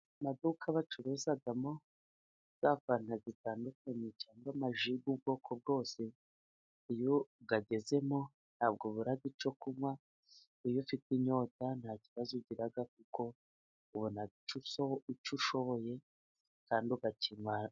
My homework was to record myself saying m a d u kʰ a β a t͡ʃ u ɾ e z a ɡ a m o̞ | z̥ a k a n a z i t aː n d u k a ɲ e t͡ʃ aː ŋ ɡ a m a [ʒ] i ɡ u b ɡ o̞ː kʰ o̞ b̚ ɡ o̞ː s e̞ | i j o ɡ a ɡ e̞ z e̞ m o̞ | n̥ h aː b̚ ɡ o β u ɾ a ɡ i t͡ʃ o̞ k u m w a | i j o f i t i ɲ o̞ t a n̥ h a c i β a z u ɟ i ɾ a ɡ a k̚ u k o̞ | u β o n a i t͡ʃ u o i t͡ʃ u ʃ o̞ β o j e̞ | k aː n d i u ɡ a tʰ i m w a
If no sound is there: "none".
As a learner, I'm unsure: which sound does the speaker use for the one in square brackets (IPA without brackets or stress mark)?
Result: ʒ